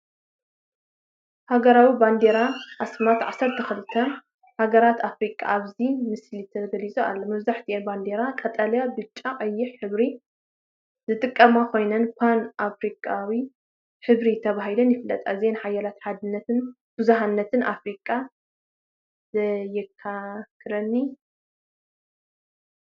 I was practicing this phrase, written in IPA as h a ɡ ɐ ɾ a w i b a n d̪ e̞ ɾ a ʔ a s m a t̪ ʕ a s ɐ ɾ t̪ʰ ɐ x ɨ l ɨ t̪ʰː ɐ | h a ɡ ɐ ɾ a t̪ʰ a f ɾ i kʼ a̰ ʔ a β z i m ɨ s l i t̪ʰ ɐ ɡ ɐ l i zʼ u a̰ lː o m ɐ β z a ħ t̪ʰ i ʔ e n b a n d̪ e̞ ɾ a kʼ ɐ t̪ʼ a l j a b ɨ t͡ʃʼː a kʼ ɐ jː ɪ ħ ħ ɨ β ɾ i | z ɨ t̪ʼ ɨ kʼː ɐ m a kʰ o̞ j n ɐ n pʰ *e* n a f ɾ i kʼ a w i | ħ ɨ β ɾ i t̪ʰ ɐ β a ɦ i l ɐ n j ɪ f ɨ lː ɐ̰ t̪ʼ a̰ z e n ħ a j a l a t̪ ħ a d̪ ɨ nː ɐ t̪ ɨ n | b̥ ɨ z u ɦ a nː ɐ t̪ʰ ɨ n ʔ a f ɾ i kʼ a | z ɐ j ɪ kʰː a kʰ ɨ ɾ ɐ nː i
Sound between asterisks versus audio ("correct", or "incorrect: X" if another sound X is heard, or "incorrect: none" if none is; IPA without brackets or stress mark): incorrect: a